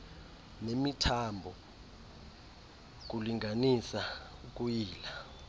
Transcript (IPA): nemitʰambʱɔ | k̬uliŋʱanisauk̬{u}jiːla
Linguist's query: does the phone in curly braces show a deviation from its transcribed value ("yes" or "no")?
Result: no